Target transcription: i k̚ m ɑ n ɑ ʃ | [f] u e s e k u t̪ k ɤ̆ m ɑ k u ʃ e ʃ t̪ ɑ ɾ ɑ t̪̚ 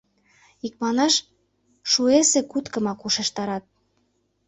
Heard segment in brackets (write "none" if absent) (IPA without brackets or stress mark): ʃ